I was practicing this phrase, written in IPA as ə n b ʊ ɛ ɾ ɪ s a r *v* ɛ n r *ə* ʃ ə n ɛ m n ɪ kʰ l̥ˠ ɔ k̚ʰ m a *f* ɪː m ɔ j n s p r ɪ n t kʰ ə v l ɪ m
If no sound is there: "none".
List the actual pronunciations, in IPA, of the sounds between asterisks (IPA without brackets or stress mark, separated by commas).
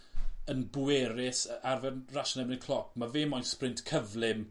v, a, v